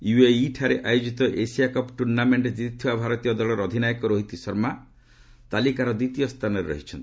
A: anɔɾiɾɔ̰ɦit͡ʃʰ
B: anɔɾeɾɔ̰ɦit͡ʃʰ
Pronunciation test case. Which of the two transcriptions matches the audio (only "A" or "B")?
B